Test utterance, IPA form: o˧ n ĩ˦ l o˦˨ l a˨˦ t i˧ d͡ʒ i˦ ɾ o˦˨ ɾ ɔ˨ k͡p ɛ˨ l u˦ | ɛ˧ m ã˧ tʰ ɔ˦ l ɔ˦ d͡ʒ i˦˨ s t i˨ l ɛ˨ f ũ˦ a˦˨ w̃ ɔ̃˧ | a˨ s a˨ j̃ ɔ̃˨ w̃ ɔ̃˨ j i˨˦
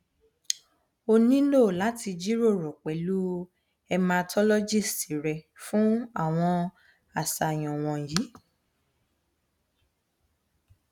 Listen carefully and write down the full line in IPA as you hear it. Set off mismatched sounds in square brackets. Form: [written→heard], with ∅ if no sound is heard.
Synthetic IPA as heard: o˧ n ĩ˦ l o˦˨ l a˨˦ t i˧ d͡ʒ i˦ ɾ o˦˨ ɾ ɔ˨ k͡p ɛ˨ l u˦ | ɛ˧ m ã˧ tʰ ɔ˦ l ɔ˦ d͡ʒ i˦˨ s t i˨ [l→ɾ] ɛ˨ f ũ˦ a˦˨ w̃ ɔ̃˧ | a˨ s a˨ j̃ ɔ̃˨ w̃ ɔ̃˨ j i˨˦